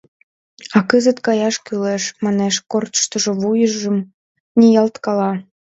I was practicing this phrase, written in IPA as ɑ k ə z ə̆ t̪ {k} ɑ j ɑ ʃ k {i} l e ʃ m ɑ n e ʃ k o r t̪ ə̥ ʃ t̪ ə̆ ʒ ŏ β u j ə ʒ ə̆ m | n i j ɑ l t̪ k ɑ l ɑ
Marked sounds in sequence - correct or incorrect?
correct, incorrect: y

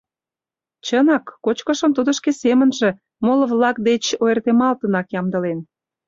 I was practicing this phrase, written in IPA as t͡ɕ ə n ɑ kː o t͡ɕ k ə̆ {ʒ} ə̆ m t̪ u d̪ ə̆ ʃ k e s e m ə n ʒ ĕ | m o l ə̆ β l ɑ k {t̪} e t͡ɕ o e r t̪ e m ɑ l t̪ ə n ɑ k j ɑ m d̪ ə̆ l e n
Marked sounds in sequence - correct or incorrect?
incorrect: ʃ, incorrect: d̪

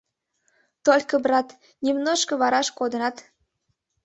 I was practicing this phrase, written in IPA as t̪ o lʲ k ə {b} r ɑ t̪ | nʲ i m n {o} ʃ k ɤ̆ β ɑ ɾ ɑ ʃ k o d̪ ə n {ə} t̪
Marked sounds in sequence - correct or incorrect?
correct, correct, incorrect: ɑ

